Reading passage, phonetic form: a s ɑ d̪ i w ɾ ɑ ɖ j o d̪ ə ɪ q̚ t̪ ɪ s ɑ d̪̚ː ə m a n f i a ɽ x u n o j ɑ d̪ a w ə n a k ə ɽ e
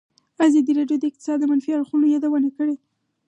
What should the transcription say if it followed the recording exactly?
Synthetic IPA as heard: a z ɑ d̪ i ɾ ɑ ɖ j o d̪ ə ɪ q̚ t̪ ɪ s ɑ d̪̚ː ə m a n f i a ɽ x u n o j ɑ d̪ a w ə n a k ə ɽ e